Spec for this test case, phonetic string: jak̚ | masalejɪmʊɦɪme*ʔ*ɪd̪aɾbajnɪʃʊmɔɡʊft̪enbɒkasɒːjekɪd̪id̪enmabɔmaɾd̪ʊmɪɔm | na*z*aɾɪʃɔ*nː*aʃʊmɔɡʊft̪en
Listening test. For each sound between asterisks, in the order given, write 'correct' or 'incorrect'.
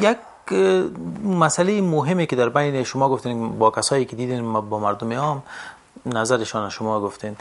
incorrect: k, correct, incorrect: n

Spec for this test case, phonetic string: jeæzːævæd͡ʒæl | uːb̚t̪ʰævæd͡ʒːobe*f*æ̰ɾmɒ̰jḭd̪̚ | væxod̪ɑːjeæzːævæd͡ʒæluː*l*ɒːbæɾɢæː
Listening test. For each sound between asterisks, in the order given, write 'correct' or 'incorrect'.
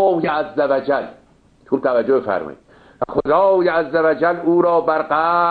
correct, incorrect: ɾ

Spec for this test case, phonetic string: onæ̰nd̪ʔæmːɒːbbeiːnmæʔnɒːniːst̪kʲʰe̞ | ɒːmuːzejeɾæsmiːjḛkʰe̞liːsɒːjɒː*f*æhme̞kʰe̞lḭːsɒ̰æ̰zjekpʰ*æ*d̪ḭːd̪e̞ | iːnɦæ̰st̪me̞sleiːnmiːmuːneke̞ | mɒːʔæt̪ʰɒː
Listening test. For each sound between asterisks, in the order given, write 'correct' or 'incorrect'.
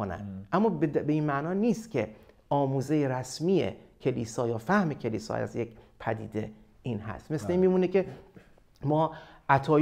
correct, correct

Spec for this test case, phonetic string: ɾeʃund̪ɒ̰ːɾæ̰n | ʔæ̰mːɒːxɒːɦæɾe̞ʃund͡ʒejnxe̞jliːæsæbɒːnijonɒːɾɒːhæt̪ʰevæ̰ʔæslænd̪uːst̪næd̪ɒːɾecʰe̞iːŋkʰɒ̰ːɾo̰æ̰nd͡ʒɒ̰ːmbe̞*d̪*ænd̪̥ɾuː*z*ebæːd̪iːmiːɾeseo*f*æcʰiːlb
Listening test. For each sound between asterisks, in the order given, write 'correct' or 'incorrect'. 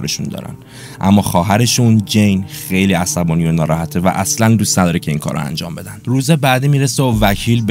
correct, correct, incorrect: v

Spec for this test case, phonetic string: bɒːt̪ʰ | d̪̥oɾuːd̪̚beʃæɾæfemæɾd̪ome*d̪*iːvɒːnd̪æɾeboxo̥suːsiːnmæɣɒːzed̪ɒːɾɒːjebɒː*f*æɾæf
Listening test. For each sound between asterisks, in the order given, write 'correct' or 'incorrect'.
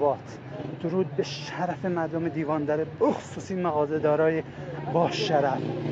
correct, incorrect: ʃ

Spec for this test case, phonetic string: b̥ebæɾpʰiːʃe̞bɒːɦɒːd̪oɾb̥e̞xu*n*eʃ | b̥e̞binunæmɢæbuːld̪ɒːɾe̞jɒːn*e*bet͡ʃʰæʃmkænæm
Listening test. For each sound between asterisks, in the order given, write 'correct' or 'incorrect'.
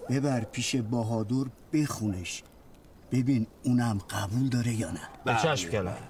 correct, incorrect: æ

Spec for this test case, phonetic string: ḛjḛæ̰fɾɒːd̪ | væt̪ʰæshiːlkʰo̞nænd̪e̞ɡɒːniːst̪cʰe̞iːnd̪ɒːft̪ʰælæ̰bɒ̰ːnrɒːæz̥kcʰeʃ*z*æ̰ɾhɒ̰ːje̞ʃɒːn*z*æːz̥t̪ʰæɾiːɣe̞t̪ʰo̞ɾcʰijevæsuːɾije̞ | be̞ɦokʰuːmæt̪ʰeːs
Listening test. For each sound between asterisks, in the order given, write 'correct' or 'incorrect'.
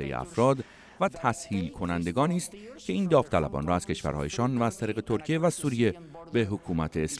incorrect: v, incorrect: v

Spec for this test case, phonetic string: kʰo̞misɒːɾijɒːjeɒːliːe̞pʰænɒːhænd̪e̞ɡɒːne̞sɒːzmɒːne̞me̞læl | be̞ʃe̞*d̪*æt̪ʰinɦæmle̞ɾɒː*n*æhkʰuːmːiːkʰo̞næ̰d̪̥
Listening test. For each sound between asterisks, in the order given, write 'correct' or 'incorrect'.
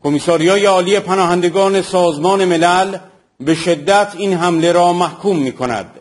incorrect: d̪ː, incorrect: m

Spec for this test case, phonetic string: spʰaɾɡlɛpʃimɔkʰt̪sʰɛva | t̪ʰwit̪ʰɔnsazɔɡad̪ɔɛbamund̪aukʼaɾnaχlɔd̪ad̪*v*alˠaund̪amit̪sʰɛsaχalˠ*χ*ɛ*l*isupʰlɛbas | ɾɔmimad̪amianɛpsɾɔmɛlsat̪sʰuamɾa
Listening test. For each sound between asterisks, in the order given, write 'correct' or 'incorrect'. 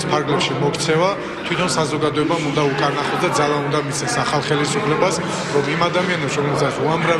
incorrect: z, correct, correct

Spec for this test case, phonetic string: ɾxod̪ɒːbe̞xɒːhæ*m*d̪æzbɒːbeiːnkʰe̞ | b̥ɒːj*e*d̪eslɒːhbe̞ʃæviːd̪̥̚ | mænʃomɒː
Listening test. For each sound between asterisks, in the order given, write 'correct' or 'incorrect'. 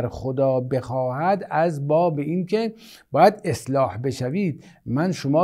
incorrect: none, incorrect: æ

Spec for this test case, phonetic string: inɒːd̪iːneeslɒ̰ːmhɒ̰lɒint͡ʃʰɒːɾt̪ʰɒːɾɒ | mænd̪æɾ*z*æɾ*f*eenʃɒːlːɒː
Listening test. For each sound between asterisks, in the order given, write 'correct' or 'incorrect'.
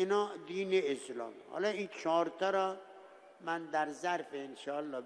correct, correct

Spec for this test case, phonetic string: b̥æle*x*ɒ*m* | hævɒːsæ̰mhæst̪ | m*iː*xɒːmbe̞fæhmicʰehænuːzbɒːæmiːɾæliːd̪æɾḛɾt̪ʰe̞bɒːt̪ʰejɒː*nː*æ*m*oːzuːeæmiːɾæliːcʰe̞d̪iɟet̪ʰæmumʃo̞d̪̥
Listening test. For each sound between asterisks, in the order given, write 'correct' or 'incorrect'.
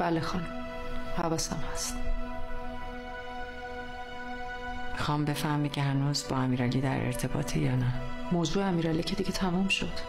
correct, incorrect: n, incorrect: i, incorrect: n, correct

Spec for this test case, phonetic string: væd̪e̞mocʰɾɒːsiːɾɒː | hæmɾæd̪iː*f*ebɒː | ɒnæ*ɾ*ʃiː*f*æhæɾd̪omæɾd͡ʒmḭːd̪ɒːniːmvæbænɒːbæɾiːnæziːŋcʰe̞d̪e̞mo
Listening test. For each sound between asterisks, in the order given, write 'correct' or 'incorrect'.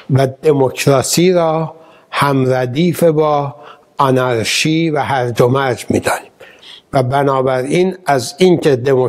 correct, correct, incorrect: v

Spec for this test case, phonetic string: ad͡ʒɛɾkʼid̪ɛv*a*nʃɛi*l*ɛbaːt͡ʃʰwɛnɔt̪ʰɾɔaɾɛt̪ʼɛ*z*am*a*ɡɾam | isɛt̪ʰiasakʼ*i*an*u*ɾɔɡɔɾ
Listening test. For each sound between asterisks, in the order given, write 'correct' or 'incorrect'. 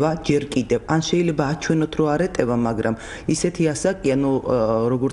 correct, correct, incorrect: v, correct, correct, correct

